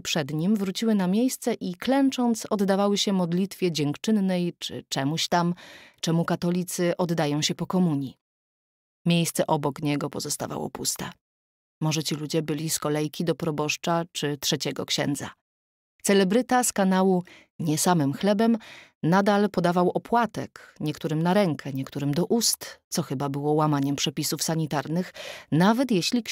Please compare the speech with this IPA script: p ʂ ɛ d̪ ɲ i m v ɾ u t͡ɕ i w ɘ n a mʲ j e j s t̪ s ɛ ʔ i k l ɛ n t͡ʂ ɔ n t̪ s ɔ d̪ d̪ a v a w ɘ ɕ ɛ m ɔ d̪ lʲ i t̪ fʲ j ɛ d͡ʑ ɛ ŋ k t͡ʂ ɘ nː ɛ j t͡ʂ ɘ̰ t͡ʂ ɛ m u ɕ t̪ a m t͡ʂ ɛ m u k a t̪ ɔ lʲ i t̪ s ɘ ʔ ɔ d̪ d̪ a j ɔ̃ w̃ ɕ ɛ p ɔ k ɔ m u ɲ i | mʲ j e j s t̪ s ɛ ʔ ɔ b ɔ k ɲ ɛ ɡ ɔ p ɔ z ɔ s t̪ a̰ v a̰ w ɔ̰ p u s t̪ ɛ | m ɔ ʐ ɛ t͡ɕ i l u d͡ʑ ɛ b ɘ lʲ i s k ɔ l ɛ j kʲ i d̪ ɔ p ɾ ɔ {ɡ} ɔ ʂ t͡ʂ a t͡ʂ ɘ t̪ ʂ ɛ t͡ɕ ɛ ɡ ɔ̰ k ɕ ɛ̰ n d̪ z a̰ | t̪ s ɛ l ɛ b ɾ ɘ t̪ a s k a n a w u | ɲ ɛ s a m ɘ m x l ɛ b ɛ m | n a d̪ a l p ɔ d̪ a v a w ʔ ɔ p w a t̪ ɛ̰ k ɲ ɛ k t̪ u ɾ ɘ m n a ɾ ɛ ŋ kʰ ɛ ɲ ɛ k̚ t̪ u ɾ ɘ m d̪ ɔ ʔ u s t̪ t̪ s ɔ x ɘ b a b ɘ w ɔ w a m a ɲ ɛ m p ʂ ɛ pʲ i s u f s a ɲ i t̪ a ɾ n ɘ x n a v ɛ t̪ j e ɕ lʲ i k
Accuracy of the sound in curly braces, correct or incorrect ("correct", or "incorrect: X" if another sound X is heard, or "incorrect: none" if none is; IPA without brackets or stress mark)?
incorrect: b